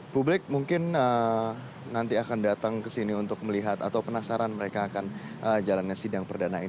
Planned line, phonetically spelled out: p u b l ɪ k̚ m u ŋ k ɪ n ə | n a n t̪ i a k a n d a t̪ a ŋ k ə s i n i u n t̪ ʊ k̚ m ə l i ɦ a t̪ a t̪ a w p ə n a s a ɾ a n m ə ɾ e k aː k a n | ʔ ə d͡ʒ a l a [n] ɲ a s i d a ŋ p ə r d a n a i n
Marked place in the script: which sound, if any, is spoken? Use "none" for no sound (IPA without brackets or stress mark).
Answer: n